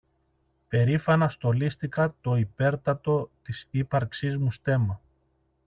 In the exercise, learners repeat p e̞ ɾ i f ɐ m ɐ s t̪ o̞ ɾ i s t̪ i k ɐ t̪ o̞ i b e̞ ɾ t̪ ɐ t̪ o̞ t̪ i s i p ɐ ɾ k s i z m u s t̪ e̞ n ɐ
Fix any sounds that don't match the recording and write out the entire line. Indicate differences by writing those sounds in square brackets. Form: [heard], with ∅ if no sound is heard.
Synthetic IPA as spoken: p e̞ ɾ i f ɐ [n] ɐ s t̪ o̞ [l] i s t̪ i k ɐ t̪ o̞ i [p] e̞ ɾ t̪ ɐ t̪ o̞ t̪ i s i p ɐ ɾ k s i z m u s t̪ e̞ [m] ɐ

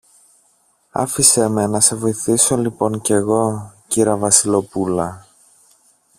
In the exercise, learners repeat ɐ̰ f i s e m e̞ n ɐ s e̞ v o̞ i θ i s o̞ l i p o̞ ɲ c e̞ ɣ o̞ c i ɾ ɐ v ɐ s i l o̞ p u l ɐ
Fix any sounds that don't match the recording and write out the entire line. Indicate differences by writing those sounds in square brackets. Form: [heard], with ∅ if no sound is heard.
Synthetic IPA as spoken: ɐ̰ f i s e m e̞ n ɐ s e̞ v o̞ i θ i s o̞ l i p o̞ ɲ c e̞ ɣ o̞ c i ɾ ɐ v ɐ s i l o̞ p u l ɐ

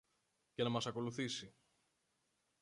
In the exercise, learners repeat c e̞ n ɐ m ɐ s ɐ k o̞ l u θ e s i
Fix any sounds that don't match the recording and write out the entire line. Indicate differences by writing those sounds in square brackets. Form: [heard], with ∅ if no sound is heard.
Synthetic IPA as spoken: c e̞ n ɐ m ɐ s ɐ k o̞ l u θ [i] s i

